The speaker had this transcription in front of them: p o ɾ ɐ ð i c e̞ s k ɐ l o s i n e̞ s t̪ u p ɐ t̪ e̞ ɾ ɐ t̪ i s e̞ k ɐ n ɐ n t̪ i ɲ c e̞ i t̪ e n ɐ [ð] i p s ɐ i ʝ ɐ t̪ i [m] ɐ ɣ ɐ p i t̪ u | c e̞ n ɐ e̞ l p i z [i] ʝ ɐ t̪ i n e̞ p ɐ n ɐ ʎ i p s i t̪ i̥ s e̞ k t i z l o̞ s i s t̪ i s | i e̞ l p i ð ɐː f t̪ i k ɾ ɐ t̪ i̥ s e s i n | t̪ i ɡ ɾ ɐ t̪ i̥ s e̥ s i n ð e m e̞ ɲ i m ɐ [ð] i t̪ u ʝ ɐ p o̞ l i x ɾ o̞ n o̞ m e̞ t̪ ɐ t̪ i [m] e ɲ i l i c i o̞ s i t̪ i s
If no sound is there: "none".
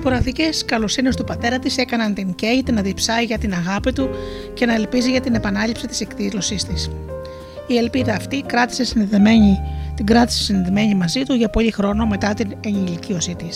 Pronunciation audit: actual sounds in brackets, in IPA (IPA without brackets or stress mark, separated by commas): ð, n, i, z, n